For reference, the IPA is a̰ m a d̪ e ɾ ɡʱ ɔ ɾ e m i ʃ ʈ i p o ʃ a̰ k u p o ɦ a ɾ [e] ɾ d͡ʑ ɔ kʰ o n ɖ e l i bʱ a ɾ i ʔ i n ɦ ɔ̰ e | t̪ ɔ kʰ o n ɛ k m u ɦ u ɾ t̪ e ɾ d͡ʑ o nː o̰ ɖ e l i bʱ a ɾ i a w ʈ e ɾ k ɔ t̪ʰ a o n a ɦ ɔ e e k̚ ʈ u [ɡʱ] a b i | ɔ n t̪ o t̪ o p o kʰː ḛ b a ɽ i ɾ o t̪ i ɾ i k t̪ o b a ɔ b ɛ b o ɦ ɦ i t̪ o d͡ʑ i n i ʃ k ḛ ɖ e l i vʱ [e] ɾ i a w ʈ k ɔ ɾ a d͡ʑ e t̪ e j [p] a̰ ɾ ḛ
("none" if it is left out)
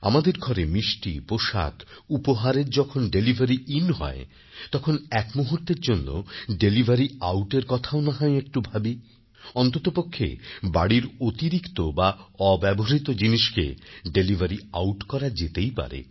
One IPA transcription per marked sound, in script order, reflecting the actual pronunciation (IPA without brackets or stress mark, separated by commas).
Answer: e, bʱ, a, p